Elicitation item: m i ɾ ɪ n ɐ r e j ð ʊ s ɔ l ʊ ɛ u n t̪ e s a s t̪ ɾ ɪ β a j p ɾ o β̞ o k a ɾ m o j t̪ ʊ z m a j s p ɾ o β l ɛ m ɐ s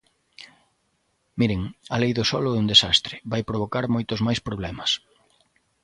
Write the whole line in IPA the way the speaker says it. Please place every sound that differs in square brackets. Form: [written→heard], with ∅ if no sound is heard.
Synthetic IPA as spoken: m i ɾ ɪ [n→ŋ] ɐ [r→l] e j ð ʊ s ɔ l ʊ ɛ u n [t̪→d̪] e s a s t̪ ɾ ɪ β a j p ɾ o β̞ o k a ɾ m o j t̪ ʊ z m a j s p ɾ o β l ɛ m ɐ s